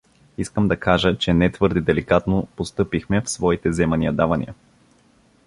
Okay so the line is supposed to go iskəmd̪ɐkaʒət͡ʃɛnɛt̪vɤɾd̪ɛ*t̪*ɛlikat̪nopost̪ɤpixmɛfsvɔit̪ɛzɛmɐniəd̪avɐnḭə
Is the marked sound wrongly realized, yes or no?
yes